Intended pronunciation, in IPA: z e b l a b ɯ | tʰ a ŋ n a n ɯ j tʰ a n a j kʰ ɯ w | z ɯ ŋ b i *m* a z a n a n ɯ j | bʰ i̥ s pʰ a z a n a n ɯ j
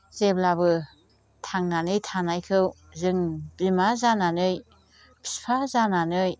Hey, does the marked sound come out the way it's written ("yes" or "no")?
yes